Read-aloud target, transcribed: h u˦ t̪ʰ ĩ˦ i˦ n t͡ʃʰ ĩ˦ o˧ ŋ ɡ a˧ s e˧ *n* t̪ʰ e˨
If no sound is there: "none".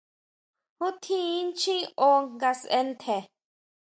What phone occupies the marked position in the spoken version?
n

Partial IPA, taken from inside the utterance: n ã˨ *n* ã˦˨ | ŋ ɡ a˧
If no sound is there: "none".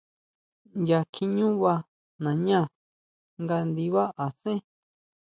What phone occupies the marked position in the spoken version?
ɲ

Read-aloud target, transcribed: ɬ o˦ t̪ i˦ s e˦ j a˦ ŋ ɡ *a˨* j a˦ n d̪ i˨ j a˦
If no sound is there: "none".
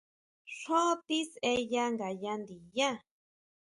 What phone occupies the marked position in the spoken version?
a˨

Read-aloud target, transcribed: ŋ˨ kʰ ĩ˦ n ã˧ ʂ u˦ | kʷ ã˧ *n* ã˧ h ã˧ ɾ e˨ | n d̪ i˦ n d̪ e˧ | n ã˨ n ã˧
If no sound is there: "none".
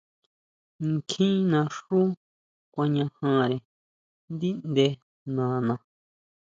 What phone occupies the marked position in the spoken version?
ɲ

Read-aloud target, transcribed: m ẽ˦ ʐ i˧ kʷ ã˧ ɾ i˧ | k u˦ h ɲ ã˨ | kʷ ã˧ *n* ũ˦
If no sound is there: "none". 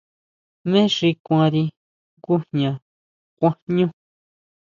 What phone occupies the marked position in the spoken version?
ɲ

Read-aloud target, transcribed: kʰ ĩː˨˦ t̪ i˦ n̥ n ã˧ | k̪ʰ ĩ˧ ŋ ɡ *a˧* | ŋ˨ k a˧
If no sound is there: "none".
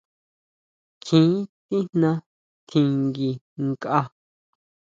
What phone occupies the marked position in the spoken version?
i˧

